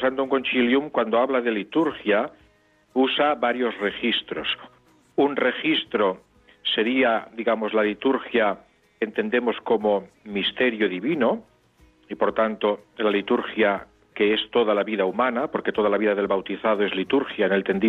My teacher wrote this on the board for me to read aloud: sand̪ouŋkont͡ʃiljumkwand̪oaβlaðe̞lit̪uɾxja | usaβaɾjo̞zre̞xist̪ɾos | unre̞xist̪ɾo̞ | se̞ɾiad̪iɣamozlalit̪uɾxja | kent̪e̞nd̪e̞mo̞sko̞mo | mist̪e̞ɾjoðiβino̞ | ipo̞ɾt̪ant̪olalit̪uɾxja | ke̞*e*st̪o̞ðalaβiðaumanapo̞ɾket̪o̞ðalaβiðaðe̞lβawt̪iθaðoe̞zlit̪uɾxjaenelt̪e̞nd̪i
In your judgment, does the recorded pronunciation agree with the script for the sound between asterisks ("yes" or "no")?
yes